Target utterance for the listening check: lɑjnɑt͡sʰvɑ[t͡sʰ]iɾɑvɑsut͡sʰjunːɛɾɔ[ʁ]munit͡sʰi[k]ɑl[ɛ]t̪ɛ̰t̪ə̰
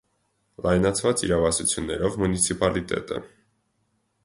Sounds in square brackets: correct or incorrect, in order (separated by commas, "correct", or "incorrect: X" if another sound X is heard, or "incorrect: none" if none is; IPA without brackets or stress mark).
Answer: incorrect: t͡s, incorrect: v, incorrect: p, incorrect: i